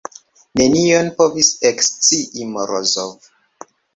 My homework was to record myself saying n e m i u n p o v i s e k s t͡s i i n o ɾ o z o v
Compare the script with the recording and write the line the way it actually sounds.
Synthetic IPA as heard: n e n i o n p o v i s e k s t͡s i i m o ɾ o z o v